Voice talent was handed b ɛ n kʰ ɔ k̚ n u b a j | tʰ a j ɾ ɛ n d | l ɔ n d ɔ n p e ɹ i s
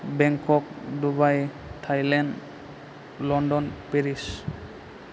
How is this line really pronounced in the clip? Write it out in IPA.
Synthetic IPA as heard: b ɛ ŋ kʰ ɔ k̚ d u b a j | tʰ a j l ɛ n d | l ɔ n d ɔ n p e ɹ i s